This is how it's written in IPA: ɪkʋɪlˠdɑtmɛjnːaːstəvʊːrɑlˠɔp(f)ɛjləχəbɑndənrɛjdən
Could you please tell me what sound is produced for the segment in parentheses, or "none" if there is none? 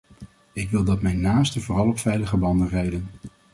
f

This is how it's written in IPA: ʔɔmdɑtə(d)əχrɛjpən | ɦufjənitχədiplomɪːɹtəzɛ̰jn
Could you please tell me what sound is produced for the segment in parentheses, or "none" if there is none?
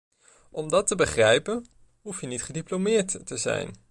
b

